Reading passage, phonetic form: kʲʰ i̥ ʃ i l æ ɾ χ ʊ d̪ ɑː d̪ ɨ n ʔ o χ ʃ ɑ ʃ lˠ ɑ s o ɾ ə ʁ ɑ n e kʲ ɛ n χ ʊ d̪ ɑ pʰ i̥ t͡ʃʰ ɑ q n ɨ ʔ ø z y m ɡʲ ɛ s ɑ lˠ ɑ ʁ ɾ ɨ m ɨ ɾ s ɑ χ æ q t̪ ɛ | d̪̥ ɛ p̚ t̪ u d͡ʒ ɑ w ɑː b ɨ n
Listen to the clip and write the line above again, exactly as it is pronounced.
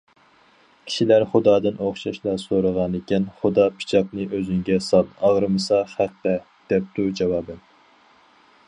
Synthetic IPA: kʲʰ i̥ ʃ i l æ ɾ χ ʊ d̪ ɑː d̪ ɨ n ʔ o χ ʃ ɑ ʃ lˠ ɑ s o ɾ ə ʁ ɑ n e kʲ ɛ n χ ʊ d̪ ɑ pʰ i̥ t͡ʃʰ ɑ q n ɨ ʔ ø z y ŋ ɡʲ ɛ s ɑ lˠ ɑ ʁ ɾ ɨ m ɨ s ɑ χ æ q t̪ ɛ | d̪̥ ɛ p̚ t̪ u d͡ʒ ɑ w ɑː b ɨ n